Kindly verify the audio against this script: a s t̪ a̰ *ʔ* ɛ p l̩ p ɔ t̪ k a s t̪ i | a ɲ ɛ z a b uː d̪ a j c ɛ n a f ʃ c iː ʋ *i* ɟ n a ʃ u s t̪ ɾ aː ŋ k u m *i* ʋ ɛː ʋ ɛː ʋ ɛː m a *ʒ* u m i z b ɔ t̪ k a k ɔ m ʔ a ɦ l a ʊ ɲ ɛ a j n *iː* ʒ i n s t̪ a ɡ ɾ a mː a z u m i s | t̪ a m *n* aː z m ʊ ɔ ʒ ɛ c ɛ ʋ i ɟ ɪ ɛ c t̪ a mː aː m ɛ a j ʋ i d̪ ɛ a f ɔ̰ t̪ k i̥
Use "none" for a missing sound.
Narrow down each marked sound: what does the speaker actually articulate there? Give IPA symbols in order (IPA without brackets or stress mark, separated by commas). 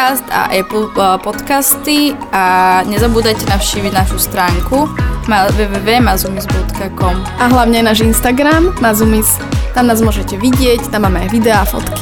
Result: ʔ, i, a, z, aː, n